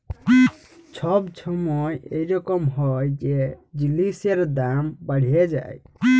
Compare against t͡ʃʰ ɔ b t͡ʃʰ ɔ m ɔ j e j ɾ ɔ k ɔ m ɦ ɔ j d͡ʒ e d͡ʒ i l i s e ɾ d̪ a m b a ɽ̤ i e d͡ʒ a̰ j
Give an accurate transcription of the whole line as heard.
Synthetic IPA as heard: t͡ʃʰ ɔ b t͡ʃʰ ɔ m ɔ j e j ɾ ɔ k ɔ m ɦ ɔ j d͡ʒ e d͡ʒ i l i s e ɾ d̪ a m b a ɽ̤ i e d͡ʒ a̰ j